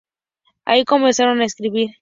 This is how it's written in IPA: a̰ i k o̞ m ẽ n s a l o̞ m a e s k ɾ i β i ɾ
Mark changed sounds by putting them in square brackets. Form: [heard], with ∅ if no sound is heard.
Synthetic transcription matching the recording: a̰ i k o̞ m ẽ n s a [ɾ] o̞ [n] a e s k ɾ i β i ɾ

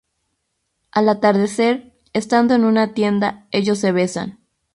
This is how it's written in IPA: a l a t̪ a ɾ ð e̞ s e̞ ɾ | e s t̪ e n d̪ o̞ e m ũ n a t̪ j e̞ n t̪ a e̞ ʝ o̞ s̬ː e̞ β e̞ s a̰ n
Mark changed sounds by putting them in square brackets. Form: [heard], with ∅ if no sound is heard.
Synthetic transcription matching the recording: a l a t̪ a ɾ ð e̞ s e̞ ɾ | e s t̪ [a] n d̪ o̞ e [n] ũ n a t̪ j e̞ n [d̪] a e̞ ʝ o̞ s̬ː e̞ β e̞ s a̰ n

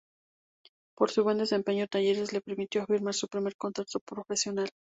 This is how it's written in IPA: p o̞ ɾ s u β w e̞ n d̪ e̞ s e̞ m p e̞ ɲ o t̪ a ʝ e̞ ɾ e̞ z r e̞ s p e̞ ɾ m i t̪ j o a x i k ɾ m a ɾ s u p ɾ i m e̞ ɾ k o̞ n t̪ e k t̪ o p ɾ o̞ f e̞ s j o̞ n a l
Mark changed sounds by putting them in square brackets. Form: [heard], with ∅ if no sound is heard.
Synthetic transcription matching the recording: p o̞ ɾ s u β w e̞ n d̪ e̞ s e̞ m p e̞ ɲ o t̪ a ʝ e̞ ɾ e̞ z [l] e̞ [∅] p e̞ ɾ m i t̪ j o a [f] i [∅] ɾ m a ɾ s u p ɾ i m e̞ ɾ k o̞ n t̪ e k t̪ o p ɾ o̞ f e̞ s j o̞ n a l

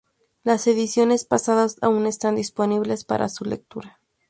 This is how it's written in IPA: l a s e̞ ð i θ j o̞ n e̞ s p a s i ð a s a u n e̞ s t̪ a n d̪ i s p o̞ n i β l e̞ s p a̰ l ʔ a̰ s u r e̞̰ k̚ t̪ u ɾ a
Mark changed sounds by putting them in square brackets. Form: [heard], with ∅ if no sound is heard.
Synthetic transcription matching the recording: l a s e̞ ð i [s] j o̞ n e̞ s p a s [a] ð a s a u n e̞ s t̪ a n d̪ i s p o̞ n i β l e̞ s p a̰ [ɾ] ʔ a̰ s u [l] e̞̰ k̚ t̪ u ɾ a

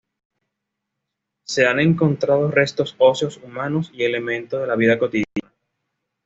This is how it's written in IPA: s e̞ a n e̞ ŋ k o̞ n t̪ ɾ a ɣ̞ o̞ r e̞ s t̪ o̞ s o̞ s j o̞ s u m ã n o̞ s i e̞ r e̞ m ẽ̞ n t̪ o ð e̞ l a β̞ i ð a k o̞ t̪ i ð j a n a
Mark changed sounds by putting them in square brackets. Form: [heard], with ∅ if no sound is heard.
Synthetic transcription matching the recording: s e̞ a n e̞ ŋ k o̞ n t̪ ɾ a [ð̞] o̞ r e̞ s t̪ o̞ s o̞ s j o̞ s u m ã n o̞ s i e̞ [l] e̞ m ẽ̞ n t̪ o ð e̞ l a β̞ i ð a k o̞ t̪ i ð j a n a

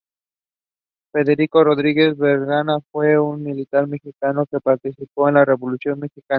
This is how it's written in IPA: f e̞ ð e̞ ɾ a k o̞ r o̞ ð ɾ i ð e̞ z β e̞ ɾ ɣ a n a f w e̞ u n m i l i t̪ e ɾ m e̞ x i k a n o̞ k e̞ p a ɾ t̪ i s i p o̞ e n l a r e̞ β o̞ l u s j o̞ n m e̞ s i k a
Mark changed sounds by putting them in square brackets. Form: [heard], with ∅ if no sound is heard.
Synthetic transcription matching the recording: f e̞ ð e̞ ɾ [i] k o̞ r o̞ ð ɾ i [ɣ] e̞ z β e̞ ɾ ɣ a n a f w e̞ u n m i l i t̪ [a] ɾ m e̞ x i k a n o̞ k e̞ p a ɾ t̪ i s i p o̞ e n l a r e̞ β o̞ l u s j o̞ n m e̞ [x] i k a

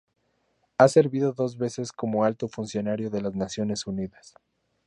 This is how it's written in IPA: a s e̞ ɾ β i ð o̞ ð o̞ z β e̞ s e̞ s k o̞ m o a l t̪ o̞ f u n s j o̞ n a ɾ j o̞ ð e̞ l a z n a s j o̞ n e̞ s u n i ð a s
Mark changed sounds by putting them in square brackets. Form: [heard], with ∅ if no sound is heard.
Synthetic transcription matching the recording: a s e̞ ɾ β i ð o̞ ð o̞ z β e̞ s e̞ s k o̞ m o a l t̪ o̞ f u n s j o̞ n a ɾ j o̞ ð e̞ l a z n a s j o̞ n e̞ s u n i ð a s

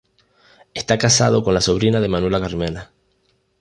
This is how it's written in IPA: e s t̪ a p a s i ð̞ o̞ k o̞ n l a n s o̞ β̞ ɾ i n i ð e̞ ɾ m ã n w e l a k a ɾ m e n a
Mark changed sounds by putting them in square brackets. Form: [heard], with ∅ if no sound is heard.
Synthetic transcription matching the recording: e s t̪ a [k] a s [a] ð̞ o̞ k o̞ n l a [∅] s o̞ β̞ ɾ i n [a] ð e̞ [∅] m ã n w e l a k a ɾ m e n a

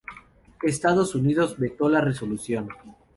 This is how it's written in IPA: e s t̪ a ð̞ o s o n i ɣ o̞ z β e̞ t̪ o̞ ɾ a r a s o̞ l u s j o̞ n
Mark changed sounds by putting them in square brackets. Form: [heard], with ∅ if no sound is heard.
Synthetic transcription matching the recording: e s t̪ a ð̞ o s [u] n i [ð] o̞ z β e̞ t̪ o̞ [l] a r [e] s o̞ l u s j o̞ n

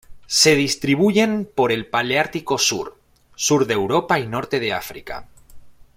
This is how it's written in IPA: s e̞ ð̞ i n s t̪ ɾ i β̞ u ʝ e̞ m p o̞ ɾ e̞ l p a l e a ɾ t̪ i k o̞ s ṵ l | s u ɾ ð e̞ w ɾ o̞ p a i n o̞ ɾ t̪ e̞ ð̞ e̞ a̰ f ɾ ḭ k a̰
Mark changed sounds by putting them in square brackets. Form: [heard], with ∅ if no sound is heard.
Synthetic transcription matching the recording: s e̞ ð̞ i [∅] s t̪ ɾ i β̞ u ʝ e̞ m p o̞ ɾ e̞ l p a l e a ɾ t̪ i k o̞ s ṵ [ɾ] | s u ɾ ð e̞ w ɾ o̞ p a i n o̞ ɾ t̪ e̞ ð̞ e̞ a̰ f ɾ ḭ k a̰

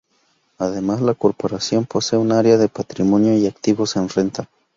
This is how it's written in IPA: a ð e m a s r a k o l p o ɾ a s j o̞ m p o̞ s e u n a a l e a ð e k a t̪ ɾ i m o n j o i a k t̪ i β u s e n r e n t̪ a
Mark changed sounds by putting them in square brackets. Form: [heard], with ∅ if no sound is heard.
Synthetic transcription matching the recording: a ð e m a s [l] a k o [ɾ] p o ɾ a s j o̞ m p o̞ s e u n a a [ɾ] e a ð e [p] a t̪ ɾ i m o n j o i a k t̪ i β [o] s e n r e n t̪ a

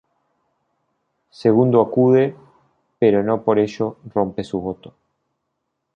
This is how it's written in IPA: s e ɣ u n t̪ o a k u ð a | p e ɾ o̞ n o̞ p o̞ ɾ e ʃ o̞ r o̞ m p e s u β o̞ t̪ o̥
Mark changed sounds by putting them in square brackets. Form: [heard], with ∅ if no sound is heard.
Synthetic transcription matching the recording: s e ɣ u n [d̪] o a k u ð [e] | p e ɾ o̞ n o̞ p o̞ ɾ e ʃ o̞ r o̞ m p e s u β o̞ t̪ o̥

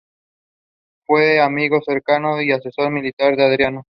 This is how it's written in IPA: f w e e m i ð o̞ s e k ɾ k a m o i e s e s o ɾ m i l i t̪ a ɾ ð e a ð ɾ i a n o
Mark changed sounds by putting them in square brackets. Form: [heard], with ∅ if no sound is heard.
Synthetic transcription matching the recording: f w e [a] m i [ɣ] o̞ s e [∅] ɾ k a [n] o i [a] s e s o ɾ m i l i t̪ a ɾ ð e a ð ɾ [j] a n o

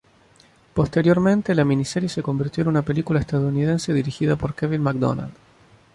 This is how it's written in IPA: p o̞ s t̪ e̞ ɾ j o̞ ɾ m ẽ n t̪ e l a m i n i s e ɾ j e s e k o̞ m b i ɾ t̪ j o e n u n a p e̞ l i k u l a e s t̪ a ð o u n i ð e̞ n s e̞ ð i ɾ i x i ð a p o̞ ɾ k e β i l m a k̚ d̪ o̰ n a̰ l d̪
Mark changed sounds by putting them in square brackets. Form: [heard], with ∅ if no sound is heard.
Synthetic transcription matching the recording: p o̞ s t̪ e̞ ɾ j o̞ ɾ m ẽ n t̪ e l a m i n i s e ɾ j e s e k o̞ m b i ɾ t̪ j o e n u n a p e̞ l i k u l a e s t̪ a ð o u n i ð e̞ n s e̞ ð i ɾ i x i ð a p o̞ ɾ k e β i l m a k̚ d̪ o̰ n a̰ l d̪

